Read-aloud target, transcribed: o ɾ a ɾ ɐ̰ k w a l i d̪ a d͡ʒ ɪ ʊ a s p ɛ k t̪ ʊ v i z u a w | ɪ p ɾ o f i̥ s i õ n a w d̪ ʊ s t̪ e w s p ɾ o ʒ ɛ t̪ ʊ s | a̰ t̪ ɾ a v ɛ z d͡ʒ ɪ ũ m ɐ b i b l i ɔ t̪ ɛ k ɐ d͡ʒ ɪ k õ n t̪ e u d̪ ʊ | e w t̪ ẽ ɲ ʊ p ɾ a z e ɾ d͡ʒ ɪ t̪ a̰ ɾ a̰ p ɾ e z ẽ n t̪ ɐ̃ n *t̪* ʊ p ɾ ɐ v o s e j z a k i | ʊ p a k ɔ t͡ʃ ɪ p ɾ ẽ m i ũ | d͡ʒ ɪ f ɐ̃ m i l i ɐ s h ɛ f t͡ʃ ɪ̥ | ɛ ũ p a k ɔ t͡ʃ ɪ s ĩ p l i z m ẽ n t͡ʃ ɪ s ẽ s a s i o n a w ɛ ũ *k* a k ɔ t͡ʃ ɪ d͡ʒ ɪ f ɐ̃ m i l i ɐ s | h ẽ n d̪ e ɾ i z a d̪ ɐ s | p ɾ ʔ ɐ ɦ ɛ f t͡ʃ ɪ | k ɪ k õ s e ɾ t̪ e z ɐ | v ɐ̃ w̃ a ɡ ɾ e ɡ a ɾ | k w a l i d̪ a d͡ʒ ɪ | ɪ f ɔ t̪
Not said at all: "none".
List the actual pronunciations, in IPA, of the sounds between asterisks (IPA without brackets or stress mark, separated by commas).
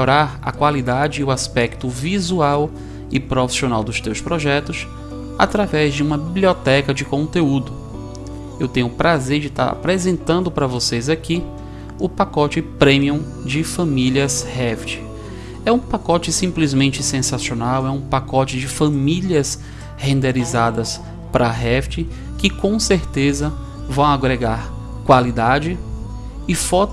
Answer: d̪, p